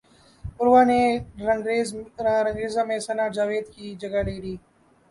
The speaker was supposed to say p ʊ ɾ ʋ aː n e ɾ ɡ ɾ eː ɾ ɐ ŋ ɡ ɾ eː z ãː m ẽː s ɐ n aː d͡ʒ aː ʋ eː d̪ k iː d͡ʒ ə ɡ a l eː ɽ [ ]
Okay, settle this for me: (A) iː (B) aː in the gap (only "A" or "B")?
A